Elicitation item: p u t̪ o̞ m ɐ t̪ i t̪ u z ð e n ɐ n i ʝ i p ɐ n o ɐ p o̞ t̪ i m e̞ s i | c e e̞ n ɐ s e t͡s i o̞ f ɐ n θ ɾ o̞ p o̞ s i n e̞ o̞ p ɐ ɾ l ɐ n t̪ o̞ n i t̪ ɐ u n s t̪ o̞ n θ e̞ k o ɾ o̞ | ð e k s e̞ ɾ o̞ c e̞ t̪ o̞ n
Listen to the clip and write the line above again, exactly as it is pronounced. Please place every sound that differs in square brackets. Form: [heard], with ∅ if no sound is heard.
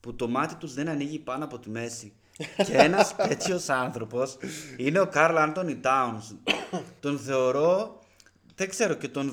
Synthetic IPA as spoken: p u t̪ o̞ m ɐ t̪ i t̪ u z ð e n ɐ n i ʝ i p ɐ n o ɐ p o̞ t̪ i m e̞ s i | c e e̞ n ɐ s e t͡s i o̞ [s] ɐ n θ ɾ o̞ p o̞ s i n e̞ o̞ [k] ɐ ɾ l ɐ n t̪ o̞ n i t̪ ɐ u n s t̪ o̞ n θ e̞ [∅] o ɾ o̞ | ð e k s e̞ ɾ o̞ c e̞ t̪ o̞ n